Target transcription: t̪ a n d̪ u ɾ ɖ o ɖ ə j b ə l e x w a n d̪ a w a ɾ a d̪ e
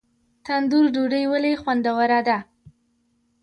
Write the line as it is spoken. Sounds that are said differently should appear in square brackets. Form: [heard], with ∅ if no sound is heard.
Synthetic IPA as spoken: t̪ a n d̪ u ɾ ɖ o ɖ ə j [w] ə l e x w a n d̪ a w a ɾ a d̪ [a]